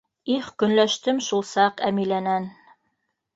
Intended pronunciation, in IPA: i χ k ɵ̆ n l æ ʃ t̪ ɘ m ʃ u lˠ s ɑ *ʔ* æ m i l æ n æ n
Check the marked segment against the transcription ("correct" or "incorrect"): incorrect